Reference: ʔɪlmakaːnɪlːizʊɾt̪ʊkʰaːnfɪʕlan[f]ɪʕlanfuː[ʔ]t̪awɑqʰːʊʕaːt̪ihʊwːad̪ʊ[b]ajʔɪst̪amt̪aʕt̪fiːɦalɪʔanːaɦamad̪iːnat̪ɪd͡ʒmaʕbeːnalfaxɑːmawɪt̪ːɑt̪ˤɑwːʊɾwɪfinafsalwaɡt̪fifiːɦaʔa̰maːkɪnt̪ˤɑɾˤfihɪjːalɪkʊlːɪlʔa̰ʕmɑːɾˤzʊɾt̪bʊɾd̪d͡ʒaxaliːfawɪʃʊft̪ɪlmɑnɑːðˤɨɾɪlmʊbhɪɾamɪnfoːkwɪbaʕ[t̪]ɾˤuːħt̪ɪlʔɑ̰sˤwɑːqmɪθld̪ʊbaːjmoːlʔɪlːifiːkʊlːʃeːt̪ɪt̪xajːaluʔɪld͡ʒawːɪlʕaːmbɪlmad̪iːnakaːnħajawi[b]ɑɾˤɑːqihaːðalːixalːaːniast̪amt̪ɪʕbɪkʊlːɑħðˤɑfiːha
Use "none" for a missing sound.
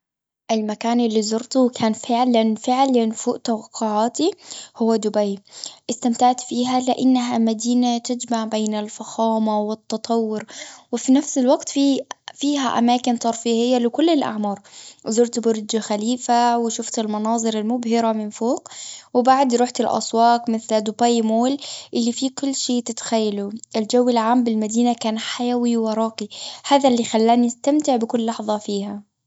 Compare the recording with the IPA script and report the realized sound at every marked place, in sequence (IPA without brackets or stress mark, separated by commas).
f, ʔ, b, d̪, w